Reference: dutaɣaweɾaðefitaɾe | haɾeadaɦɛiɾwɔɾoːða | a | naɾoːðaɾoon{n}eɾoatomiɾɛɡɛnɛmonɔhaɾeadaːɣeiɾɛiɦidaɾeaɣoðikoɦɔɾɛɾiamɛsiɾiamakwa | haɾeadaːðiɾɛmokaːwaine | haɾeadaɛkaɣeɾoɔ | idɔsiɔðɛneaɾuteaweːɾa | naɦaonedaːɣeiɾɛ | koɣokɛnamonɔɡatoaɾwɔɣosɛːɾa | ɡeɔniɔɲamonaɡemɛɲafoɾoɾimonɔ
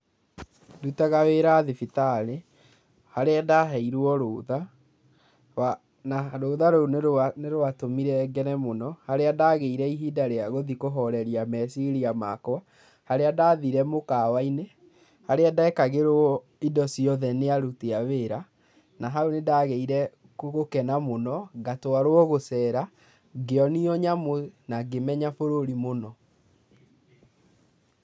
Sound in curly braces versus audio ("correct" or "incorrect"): correct